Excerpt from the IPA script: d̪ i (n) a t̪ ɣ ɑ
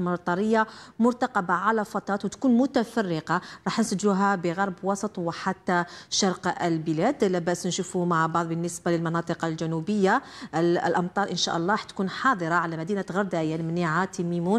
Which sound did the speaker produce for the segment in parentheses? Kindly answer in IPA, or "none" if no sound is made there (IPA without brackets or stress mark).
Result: n